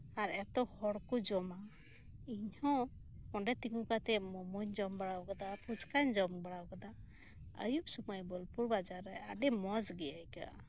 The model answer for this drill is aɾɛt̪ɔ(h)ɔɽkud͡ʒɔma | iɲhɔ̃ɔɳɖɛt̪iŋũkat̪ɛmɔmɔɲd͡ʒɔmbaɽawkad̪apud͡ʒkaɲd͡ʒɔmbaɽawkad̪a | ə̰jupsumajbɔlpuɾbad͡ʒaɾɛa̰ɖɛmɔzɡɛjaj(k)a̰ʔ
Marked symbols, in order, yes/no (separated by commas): yes, yes